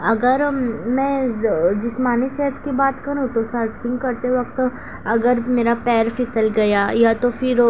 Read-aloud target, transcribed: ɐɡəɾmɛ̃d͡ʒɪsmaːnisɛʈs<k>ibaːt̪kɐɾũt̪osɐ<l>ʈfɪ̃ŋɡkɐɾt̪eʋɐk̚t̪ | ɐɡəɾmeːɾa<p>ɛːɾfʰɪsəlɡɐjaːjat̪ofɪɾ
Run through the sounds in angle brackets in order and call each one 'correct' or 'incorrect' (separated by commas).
correct, incorrect, correct